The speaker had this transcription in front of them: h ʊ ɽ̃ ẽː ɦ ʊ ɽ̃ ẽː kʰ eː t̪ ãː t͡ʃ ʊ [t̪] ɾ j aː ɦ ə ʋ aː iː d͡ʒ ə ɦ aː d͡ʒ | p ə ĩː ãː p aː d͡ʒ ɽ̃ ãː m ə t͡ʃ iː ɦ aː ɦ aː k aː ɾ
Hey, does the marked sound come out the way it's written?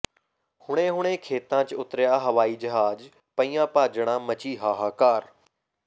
yes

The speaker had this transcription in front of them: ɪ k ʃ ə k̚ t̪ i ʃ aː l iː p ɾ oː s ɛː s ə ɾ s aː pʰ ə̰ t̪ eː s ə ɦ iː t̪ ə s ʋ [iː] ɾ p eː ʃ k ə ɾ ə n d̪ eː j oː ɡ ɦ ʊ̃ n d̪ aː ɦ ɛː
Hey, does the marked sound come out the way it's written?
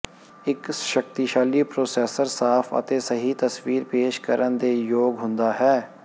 yes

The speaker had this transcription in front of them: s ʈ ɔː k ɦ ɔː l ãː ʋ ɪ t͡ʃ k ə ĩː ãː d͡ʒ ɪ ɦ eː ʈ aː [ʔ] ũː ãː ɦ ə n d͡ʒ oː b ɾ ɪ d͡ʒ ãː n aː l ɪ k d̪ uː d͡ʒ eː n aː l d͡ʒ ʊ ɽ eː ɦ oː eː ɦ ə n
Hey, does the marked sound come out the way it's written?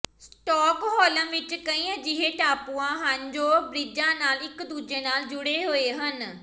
no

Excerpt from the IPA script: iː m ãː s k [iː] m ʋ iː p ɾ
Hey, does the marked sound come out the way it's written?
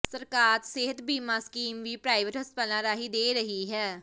yes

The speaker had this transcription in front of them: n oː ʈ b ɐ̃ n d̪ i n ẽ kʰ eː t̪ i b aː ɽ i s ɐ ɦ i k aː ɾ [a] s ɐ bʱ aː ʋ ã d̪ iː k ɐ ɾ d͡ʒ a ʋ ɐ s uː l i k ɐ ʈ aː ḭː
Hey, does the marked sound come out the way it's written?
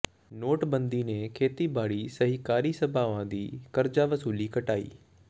no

